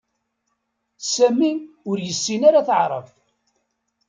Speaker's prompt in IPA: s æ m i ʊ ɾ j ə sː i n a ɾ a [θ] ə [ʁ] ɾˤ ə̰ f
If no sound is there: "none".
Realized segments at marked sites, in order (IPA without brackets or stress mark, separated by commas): θ, ʕ